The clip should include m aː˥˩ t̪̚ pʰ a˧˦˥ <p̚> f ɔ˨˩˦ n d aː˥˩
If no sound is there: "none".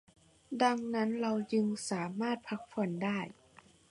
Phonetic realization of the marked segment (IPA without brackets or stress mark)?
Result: k̚